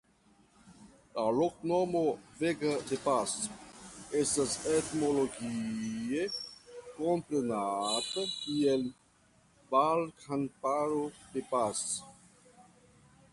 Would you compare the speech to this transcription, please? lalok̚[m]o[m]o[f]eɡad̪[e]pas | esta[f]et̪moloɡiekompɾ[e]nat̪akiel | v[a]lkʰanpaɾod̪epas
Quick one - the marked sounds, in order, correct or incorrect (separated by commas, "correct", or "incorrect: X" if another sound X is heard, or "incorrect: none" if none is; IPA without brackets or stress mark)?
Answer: incorrect: n, correct, incorrect: v, correct, incorrect: s, correct, correct